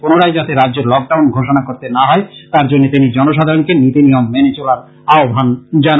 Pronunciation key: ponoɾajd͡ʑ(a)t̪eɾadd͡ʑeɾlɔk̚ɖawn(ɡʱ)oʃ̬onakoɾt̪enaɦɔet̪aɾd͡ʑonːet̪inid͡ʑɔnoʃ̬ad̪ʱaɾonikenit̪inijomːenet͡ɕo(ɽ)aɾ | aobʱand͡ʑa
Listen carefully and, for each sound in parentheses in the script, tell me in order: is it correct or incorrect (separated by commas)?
correct, correct, incorrect